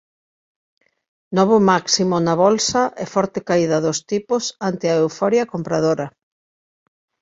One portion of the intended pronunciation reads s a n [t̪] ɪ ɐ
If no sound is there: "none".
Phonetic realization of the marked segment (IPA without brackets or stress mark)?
t̪